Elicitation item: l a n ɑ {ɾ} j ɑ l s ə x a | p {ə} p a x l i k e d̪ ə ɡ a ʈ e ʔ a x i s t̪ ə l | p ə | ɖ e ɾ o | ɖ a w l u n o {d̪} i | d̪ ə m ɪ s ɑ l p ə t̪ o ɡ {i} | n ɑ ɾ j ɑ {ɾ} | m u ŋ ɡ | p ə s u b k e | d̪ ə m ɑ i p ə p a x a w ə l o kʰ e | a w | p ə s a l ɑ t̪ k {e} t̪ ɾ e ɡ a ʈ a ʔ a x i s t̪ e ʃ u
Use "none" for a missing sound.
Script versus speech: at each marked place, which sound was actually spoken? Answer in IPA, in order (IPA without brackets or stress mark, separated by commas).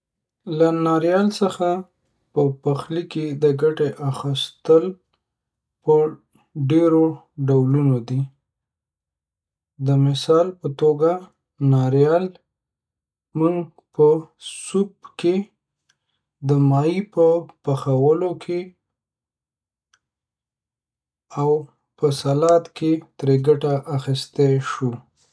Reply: ɾ, ə, d̪, a, l, e